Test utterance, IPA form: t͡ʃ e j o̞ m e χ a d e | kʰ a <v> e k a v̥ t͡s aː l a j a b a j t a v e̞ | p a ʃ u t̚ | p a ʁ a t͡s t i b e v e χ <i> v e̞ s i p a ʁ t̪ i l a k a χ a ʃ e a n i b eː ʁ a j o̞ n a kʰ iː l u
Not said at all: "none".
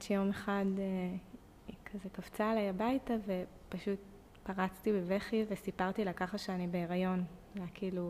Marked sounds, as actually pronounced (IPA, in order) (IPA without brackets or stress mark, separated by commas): z, i